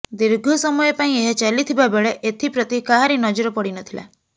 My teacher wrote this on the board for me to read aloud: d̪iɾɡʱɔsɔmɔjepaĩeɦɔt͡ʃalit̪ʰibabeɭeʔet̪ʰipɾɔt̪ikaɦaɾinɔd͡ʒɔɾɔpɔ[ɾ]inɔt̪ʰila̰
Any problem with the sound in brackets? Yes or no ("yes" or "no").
yes